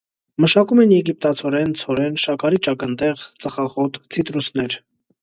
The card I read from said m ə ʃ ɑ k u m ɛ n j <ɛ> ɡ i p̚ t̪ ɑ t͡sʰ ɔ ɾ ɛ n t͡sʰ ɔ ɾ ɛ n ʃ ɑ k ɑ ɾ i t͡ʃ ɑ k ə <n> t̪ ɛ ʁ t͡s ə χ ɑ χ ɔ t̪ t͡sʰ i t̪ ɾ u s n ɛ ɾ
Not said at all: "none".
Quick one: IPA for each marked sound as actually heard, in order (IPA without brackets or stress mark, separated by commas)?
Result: ɛ, n